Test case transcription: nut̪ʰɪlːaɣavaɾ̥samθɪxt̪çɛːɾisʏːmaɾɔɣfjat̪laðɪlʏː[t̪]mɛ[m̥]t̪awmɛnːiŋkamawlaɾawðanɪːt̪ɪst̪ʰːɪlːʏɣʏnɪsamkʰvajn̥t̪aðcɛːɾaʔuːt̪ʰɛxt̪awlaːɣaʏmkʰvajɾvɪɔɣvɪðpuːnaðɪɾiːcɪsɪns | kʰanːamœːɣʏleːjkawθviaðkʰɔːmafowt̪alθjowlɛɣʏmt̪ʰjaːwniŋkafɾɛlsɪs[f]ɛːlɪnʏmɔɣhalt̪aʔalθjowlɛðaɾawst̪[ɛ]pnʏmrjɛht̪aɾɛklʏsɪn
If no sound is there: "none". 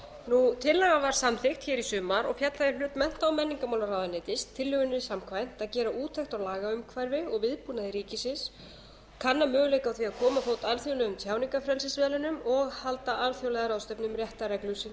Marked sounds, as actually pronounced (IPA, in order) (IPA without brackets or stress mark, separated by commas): t̪, n̥, v, œ